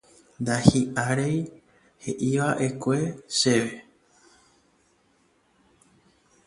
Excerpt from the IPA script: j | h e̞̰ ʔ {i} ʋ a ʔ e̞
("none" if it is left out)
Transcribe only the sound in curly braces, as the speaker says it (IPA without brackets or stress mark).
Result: i